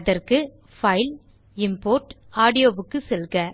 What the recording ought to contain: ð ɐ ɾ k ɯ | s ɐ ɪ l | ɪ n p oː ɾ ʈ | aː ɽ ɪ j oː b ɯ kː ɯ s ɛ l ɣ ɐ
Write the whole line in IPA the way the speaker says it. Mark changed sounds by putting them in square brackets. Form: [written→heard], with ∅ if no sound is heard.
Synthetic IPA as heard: ð ɐ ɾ k ɯ | [s→f] ɐ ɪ l | ɪ [n→m] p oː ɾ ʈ | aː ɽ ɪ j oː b ɯ kː ɯ s ɛ l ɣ ɐ